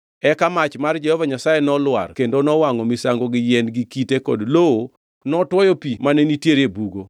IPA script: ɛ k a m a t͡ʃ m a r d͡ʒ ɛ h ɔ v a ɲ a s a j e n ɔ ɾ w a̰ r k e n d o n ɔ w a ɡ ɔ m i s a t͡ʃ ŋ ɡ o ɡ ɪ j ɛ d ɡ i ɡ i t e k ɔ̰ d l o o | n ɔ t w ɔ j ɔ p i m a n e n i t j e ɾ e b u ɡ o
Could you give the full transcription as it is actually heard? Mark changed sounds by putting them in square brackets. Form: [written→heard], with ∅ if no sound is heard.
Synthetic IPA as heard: ɛ k a m a t͡ʃ m a r d͡ʒ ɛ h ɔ v a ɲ a s a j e n ɔ [ɾ→l] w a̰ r k e n d o n ɔ w a [ɡ→ŋ] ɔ m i s a [t͡ʃ→∅] ŋ ɡ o ɡ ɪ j ɛ [d→n] ɡ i [ɡ→k] i t e k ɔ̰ d l o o | n ɔ t w ɔ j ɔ p i m a n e n i t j e ɾ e b u ɡ o

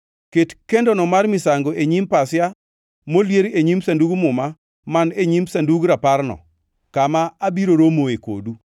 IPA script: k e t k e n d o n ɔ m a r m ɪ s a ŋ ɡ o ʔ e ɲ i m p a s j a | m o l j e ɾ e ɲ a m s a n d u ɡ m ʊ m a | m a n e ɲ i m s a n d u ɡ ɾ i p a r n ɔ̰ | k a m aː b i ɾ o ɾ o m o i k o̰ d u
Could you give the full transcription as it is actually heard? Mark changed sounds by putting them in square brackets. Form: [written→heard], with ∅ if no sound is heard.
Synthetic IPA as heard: k e t k e n d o n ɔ m a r m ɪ s a ŋ ɡ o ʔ e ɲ i m p a s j a | m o l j e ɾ e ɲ [a→i] m s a n d u ɡ m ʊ m a | m a n e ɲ i m s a n d u ɡ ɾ [i→a] p a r n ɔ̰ | k a m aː b i ɾ o ɾ o m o [i→e] k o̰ d u

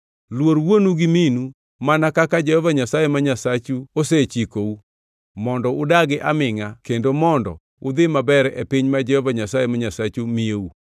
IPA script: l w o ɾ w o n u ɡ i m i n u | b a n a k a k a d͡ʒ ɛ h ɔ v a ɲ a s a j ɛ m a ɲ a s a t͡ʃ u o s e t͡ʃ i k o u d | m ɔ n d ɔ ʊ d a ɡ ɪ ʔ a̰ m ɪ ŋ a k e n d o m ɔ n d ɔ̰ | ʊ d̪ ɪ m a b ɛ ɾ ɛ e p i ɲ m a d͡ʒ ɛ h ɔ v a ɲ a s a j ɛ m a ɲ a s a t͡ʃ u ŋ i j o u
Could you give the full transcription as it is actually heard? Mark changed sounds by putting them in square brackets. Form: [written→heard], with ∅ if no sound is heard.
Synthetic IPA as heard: l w o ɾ w o n u ɡ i m i n u | [b→m] a n a k a k a d͡ʒ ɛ h ɔ v a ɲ a s a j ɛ m a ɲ a s a t͡ʃ u o s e t͡ʃ i k o u [d→∅] | m ɔ n d ɔ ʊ d a ɡ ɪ ʔ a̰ m ɪ ŋ a k e n d o m ɔ n d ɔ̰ | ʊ d̪ ɪ m a b ɛ ɾ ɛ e p i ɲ m a d͡ʒ ɛ h ɔ v a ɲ a s a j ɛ m a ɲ a s a t͡ʃ u [ŋ→m] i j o u

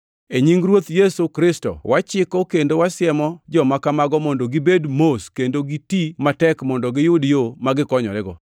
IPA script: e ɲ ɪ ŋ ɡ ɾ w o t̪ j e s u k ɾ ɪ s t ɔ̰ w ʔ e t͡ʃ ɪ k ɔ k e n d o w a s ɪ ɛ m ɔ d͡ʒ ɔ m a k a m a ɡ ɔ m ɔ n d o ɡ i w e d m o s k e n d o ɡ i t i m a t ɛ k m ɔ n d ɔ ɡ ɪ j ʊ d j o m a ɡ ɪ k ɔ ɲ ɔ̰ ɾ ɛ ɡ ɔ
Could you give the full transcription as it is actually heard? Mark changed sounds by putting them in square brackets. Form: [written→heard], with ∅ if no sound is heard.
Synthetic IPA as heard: e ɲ [ɪ→i] ŋ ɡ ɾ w o t̪ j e s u k ɾ ɪ s t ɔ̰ w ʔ [e→a] t͡ʃ ɪ k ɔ k e n d o w a s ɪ ɛ m ɔ d͡ʒ ɔ m a k a m a ɡ ɔ m ɔ n d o ɡ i [w→b] e d m o s k e n d o ɡ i t i m a t ɛ k m ɔ n d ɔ ɡ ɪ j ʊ d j o m a ɡ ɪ k ɔ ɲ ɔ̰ ɾ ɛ ɡ ɔ

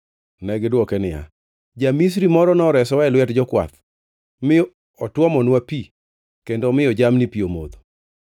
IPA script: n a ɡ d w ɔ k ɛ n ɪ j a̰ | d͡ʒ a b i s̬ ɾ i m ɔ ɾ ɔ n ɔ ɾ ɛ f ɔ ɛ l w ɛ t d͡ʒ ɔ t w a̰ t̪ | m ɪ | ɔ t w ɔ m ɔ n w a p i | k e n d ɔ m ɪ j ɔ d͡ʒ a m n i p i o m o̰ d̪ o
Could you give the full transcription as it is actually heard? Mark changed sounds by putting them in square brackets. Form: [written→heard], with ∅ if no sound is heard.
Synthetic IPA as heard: n [a→ɛ] ɡ d w ɔ k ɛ n ɪ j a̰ | d͡ʒ a [b→m] i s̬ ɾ i m ɔ ɾ ɔ n ɔ ɾ ɛ [f→s] ɔ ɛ l w ɛ t d͡ʒ ɔ [t→k] w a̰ t̪ | m ɪ | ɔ t w ɔ m ɔ n w a p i | k e n d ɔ m ɪ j ɔ d͡ʒ a m n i p i o m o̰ d̪ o

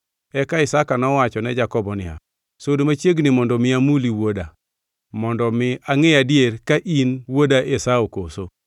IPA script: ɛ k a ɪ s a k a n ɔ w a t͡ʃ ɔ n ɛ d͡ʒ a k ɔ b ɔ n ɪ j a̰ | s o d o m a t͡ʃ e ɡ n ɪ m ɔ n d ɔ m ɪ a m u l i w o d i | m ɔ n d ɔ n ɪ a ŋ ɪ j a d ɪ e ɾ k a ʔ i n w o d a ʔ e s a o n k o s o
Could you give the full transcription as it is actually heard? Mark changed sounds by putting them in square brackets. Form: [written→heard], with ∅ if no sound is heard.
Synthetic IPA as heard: ɛ k a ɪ s a k a n ɔ w a t͡ʃ ɔ n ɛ d͡ʒ a k ɔ b ɔ n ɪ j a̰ | s o d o m a t͡ʃ e ɡ n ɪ m ɔ n d ɔ m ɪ a m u l i w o d [i→a] | m ɔ n d ɔ [n→m] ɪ a ŋ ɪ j a d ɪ e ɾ k a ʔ i n w o d a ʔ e s a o [n→∅] k o s o

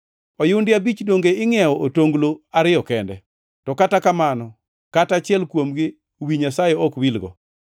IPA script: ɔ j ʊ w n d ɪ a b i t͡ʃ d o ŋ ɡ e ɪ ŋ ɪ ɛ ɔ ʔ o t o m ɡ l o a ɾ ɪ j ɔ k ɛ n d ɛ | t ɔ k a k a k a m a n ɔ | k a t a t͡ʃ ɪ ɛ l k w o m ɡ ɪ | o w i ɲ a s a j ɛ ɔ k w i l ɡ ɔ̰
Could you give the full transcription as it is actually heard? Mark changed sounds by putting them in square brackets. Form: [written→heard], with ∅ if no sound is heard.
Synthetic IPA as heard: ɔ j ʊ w n d ɪ a b i t͡ʃ d o ŋ ɡ e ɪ ŋ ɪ ɛ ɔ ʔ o t o [m→ŋ] ɡ l o a ɾ ɪ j ɔ k ɛ n d ɛ | t ɔ k a [k→t] a k a m a n ɔ | k a t a t͡ʃ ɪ ɛ l k w o m ɡ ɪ | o w i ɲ a s a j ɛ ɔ k w i l ɡ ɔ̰

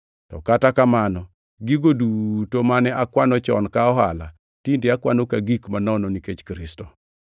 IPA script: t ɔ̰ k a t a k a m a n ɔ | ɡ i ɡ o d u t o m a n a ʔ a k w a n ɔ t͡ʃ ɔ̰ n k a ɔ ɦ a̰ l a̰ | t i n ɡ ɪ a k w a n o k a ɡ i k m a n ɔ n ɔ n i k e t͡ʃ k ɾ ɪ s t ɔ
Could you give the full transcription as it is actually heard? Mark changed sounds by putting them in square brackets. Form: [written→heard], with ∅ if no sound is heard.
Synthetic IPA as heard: t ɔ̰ k a t a k a m a n ɔ | ɡ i ɡ o d u t o m a n [a→ɛ] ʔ a k w a n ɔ t͡ʃ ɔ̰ n k a ɔ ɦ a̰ l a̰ | t i n [ɡ→d] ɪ a k w a n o k a ɡ i k m a n ɔ n ɔ n i k e t͡ʃ k ɾ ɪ s t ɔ

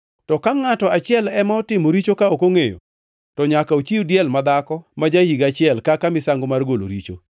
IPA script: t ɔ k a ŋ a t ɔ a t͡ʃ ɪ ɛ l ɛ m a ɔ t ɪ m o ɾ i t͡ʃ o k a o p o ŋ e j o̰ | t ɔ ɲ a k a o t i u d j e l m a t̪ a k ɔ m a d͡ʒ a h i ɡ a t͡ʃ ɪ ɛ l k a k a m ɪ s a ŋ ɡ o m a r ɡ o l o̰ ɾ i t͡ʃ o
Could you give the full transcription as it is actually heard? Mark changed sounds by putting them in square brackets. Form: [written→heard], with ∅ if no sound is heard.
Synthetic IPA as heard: t ɔ k a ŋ a t ɔ a t͡ʃ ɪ ɛ l ɛ m a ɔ t ɪ m o ɾ i t͡ʃ o k a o [p→k] o ŋ e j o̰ | t ɔ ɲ a k a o [t→t͡ʃ] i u d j [e→ɛ] l m a [t̪→d̪] a k ɔ m a d͡ʒ a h i ɡ a t͡ʃ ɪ ɛ l k a k a m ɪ s a ŋ ɡ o m a r ɡ o l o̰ ɾ i t͡ʃ o

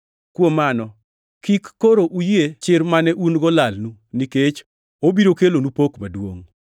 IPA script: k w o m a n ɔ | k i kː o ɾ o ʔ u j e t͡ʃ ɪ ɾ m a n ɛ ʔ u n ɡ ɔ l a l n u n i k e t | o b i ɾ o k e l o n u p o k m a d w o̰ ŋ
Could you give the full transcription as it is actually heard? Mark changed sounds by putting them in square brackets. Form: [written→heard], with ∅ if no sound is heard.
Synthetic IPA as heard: k w o m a n ɔ | k i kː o ɾ o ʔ u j e t͡ʃ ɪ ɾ m a n ɛ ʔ u n ɡ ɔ l a l n u n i k e [t→t͡ʃ] | o b i ɾ o k e l o n u p o k m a d w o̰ ŋ

